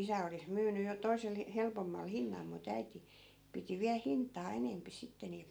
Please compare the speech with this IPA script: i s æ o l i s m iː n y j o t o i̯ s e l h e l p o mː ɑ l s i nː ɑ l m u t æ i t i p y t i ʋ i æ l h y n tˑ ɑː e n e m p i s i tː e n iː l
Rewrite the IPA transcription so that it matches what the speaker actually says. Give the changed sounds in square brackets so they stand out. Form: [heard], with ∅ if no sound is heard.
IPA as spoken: i s æ o l i s m [yː] n y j o t o i̯ s e l h e l p o mː ɑ l [h] i nː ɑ l m u t æ i t i p [i] t i ʋ i æ l h [i] n tˑ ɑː e n e m p i s i tː e n iː l